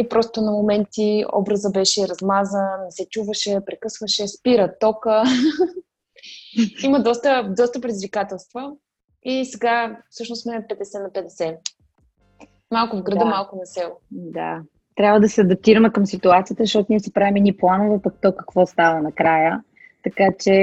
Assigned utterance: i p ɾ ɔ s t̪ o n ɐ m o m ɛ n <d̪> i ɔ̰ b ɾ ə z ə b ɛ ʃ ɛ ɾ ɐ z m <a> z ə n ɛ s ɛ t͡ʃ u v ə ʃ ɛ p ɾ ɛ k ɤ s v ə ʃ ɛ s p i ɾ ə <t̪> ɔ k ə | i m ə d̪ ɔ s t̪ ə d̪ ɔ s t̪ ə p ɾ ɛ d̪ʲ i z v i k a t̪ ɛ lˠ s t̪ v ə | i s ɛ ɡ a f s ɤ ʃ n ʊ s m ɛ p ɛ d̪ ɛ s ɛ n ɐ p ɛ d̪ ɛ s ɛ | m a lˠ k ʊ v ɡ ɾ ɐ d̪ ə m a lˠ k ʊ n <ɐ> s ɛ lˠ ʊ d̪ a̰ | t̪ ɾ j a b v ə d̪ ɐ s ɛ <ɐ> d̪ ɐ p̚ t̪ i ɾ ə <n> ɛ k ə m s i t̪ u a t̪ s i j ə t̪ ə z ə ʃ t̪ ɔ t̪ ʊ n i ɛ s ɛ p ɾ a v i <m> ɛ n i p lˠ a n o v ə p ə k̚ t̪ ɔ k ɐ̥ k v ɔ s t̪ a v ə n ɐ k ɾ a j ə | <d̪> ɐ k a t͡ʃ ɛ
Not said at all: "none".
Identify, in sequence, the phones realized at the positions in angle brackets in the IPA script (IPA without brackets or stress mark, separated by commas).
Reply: t̪, a, t̪, ɐ, ɐ, m, m, t̪